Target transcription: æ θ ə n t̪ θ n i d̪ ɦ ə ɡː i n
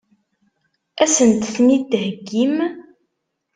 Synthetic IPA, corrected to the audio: æ s ə n t̪ θ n i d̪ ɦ ə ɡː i m